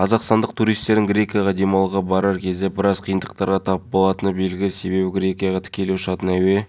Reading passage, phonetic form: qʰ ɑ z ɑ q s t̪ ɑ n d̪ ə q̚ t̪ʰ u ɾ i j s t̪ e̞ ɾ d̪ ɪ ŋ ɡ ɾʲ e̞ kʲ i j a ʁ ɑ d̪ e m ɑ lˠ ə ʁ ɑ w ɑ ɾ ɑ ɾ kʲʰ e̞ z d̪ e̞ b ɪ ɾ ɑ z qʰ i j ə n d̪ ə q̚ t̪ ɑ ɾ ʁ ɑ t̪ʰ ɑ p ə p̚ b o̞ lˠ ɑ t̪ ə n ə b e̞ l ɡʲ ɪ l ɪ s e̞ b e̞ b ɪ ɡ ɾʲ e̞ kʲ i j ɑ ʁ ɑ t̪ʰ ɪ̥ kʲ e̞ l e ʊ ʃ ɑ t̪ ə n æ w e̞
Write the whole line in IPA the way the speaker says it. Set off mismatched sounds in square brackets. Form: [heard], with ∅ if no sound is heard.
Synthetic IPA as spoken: qʰ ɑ z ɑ q s t̪ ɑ n d̪ ə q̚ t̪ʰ u ɾ i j s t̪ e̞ ɾ d̪ ɪ ŋ ɡ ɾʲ e̞ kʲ i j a ʁ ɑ d̪ e m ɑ lˠ ə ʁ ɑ [b] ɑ ɾ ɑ ɾ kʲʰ e̞ z d̪ e̞ b ɪ ɾ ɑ z qʰ i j ə n d̪ ə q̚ t̪ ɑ ɾ ʁ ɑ t̪ʰ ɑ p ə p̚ b o̞ lˠ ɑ t̪ ə n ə b e̞ l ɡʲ ɪ l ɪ s e̞ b e̞ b ɪ ɡ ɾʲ e̞ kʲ i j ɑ ʁ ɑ t̪ʰ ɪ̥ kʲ e̞ l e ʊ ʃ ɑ t̪ ə n æ w e̞